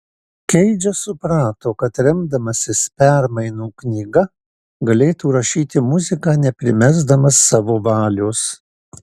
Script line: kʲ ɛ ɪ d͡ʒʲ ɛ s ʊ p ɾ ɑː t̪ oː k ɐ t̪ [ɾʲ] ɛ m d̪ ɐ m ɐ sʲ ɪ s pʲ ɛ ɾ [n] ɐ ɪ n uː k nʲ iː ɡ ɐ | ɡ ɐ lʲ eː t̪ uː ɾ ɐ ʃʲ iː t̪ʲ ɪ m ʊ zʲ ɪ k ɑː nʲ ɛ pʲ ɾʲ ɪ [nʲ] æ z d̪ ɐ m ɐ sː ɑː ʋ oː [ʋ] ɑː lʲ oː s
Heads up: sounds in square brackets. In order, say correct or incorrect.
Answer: correct, incorrect: m, incorrect: mʲ, correct

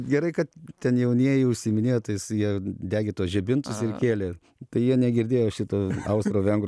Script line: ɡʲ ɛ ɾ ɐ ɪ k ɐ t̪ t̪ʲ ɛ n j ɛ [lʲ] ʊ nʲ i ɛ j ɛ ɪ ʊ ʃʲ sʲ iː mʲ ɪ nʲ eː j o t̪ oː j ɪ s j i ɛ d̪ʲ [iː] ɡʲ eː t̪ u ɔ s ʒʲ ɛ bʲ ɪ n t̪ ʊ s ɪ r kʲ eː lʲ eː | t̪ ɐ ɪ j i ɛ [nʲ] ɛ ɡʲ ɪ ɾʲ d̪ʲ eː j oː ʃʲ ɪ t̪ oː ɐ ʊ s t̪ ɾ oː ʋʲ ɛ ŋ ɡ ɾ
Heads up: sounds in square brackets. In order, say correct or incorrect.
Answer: incorrect: none, incorrect: æː, correct

